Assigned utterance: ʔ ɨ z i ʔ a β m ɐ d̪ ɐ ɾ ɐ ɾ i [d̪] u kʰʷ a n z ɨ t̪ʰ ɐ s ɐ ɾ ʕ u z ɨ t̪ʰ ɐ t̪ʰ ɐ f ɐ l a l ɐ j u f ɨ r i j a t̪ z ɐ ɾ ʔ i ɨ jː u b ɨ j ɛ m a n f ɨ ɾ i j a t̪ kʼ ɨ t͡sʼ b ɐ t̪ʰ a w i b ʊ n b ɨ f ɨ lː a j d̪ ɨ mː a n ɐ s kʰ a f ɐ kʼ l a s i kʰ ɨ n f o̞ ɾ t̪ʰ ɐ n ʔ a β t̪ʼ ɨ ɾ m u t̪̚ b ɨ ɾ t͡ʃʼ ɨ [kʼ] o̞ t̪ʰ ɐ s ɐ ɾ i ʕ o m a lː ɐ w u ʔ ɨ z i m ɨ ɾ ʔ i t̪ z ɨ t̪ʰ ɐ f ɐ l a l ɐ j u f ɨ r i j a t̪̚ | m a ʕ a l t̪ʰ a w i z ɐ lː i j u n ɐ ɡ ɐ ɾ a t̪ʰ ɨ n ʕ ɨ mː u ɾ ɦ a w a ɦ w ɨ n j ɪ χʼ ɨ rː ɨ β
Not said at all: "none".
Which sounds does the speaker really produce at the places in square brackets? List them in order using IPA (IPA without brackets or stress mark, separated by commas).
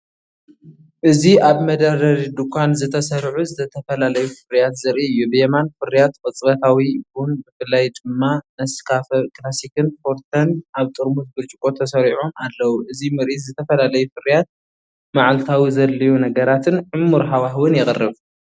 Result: d̪, kʼ